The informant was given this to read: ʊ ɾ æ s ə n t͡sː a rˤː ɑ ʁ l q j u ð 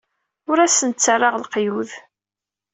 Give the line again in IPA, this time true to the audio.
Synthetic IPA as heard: ʊ ɾ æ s ə n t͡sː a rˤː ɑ ʁ l q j u ð